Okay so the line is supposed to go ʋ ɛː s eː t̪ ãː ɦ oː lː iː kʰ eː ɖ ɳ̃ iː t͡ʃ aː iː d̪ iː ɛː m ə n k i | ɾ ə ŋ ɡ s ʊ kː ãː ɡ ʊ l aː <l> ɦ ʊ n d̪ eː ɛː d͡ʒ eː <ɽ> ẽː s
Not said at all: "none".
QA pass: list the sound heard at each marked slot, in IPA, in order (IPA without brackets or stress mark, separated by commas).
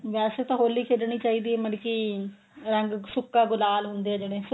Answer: l, ɽ